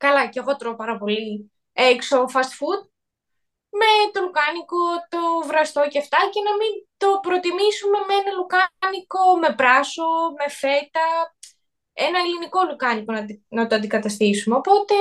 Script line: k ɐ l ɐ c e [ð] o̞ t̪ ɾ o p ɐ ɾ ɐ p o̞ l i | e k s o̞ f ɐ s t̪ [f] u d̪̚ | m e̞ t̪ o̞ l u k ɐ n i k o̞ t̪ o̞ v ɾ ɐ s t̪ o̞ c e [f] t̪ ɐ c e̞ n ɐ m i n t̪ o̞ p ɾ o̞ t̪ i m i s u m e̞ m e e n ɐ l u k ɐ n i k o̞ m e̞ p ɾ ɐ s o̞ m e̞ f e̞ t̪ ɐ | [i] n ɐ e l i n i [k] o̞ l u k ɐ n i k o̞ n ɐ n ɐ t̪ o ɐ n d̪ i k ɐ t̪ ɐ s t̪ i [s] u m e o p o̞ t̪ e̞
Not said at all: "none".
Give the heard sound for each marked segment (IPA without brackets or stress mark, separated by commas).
ɣ, f, f, e, k, s